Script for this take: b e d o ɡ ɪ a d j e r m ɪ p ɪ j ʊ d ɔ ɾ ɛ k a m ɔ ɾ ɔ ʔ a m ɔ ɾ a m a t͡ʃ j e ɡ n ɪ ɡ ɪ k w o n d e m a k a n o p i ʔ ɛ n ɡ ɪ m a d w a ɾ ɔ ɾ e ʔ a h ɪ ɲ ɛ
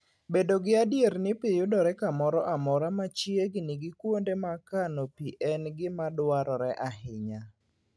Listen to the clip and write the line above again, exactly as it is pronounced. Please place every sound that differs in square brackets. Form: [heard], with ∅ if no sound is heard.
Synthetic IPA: b e d o ɡ ɪ a d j e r [n] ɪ p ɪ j ʊ d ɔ ɾ ɛ k a m ɔ ɾ ɔ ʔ a m ɔ ɾ a m a t͡ʃ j e ɡ n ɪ ɡ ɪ k w o n d e m a k a n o p i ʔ ɛ n ɡ ɪ m a d w a ɾ ɔ ɾ [ɛ] ʔ a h ɪ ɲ [a]